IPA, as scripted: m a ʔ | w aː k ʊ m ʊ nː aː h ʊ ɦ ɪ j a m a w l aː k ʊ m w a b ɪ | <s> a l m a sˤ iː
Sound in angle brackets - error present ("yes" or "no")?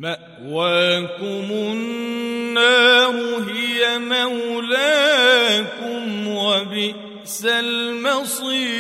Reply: no